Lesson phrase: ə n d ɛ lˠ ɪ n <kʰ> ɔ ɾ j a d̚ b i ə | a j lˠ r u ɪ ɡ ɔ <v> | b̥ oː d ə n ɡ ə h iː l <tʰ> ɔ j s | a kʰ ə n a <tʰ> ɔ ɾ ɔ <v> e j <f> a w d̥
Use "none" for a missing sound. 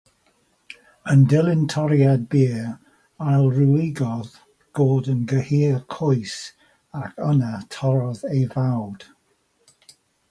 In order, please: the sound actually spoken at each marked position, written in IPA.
tʰ, ð, kʰ, tʰ, ð, v

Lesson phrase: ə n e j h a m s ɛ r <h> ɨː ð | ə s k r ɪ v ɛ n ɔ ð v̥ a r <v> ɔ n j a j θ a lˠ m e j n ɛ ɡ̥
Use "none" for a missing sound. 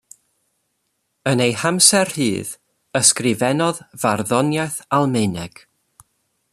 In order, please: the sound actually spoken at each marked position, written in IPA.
h, ð

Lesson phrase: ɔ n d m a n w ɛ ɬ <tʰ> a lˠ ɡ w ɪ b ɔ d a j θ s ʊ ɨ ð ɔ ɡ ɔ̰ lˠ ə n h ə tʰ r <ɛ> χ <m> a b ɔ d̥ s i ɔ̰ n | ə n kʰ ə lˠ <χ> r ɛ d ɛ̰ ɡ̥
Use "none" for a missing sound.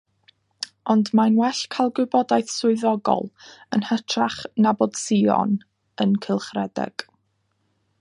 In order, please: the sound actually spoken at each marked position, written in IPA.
kʰ, a, n, χ

